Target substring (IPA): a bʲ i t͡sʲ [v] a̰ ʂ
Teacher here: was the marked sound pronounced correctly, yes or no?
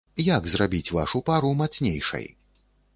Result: yes